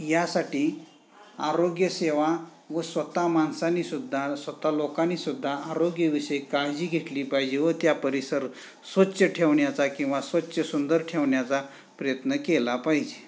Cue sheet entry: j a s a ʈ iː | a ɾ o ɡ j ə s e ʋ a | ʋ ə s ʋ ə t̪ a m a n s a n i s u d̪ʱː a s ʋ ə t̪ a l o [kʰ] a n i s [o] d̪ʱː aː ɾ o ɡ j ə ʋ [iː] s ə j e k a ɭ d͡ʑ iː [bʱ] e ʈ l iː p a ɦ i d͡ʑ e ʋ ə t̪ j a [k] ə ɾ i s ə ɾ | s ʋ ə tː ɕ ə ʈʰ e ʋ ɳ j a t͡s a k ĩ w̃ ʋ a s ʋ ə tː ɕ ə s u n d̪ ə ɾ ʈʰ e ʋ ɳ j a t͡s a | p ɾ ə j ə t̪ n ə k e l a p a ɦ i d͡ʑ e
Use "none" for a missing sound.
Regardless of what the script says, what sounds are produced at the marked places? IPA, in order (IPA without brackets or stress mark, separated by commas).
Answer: k, u, i, ɡʱ, p